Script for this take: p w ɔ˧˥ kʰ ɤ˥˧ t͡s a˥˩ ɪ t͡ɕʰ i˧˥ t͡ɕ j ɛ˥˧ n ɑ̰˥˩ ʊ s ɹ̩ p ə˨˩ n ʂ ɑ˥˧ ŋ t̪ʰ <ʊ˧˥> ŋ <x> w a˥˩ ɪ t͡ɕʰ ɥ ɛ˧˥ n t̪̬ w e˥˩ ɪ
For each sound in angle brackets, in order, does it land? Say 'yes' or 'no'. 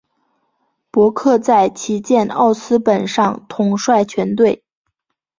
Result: no, no

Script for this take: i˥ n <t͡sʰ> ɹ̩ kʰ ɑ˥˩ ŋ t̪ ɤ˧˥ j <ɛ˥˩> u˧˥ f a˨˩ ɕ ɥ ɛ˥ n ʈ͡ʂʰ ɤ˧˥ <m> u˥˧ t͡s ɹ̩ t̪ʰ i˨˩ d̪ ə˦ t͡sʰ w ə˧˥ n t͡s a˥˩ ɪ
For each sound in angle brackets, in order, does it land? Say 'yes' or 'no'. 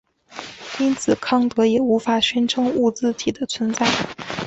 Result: yes, no, no

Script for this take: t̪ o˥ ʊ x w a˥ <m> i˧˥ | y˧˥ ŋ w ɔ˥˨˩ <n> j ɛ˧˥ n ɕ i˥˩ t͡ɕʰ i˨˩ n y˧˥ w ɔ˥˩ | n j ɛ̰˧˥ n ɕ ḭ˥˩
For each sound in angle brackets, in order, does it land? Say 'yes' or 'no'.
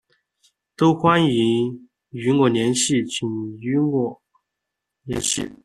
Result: no, yes

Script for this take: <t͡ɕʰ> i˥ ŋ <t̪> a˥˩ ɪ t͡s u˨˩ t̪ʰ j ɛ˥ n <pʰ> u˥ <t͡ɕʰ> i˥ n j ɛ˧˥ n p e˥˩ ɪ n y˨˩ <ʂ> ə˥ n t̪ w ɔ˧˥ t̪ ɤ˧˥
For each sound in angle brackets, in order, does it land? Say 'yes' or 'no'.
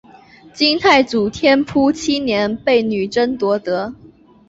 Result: no, no, yes, yes, no

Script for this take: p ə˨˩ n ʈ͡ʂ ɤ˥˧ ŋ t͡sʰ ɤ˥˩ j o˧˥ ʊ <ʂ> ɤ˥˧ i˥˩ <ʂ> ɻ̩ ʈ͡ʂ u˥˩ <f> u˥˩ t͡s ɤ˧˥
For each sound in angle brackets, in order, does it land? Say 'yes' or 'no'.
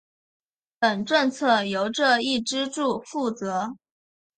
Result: no, no, yes

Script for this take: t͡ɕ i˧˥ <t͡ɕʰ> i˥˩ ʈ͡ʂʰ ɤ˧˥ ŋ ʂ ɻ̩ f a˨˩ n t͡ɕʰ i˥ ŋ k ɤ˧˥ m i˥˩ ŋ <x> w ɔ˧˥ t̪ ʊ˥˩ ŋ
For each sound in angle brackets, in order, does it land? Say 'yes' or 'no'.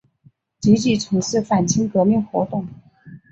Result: no, yes

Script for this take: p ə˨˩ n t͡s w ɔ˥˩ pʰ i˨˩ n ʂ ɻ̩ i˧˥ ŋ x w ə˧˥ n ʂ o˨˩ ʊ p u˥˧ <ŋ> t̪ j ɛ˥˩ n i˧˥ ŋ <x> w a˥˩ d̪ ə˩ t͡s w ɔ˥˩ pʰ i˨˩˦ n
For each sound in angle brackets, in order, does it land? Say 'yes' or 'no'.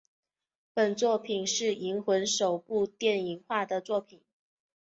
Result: no, yes

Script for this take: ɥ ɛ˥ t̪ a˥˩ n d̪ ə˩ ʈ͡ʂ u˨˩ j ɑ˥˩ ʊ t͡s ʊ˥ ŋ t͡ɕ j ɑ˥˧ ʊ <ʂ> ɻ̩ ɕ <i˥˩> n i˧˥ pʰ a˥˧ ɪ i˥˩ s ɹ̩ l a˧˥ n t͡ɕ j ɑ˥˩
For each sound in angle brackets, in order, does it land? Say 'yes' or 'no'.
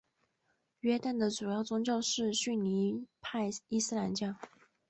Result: yes, no

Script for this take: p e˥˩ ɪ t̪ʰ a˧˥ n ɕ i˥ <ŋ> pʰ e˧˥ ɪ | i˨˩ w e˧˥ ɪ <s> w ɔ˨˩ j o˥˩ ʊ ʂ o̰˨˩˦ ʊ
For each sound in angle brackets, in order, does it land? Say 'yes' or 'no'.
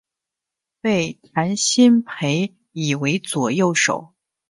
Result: no, no

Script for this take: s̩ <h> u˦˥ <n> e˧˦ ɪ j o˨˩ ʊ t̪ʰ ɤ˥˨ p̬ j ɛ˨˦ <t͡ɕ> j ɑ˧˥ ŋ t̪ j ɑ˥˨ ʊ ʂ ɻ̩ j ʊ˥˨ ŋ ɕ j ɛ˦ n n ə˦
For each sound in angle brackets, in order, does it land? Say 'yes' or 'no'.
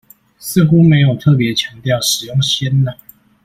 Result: no, no, no

